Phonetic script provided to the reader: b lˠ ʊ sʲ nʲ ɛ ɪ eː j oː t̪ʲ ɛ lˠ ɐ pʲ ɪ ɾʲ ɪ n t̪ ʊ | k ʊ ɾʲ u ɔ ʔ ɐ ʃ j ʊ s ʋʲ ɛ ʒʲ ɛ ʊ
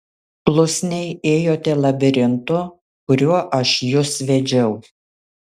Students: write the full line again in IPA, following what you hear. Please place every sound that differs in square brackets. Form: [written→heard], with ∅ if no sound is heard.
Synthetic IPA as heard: [b→p] lˠ ʊ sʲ nʲ ɛ ɪ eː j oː t̪ʲ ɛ lˠ ɐ [pʲ→bʲ] ɪ ɾʲ ɪ n t̪ ʊ | k ʊ ɾʲ u ɔ ʔ ɐ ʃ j ʊ s ʋʲ ɛ [ʒʲ→d͡ʒʲ] ɛ ʊ